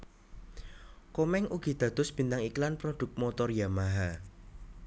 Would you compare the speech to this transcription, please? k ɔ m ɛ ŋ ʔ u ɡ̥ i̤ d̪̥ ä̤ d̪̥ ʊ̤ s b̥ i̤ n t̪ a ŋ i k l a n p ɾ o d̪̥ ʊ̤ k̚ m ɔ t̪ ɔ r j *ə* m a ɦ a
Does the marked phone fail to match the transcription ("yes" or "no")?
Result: yes